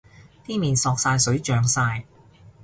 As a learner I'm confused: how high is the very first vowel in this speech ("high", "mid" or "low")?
high